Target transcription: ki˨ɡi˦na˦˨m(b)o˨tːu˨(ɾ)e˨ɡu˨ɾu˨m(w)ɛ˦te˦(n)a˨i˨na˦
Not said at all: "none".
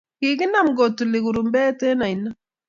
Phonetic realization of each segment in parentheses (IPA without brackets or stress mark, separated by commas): ɡ, l, b, n